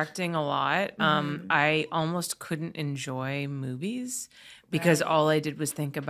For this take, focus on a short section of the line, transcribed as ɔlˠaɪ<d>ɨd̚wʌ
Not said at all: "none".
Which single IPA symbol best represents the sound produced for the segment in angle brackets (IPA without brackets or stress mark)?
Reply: d